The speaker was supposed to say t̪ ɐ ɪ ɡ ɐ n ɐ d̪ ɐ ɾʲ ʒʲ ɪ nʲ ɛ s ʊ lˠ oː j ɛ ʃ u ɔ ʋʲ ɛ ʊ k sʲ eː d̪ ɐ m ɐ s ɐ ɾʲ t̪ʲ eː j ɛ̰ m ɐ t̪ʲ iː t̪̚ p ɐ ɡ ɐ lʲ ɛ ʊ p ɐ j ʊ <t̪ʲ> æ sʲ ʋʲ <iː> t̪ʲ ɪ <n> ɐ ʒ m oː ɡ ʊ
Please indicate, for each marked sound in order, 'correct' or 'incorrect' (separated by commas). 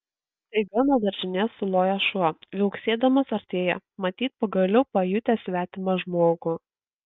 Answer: correct, incorrect, incorrect